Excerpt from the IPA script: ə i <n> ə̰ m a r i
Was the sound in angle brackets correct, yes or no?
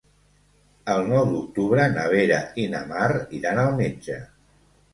yes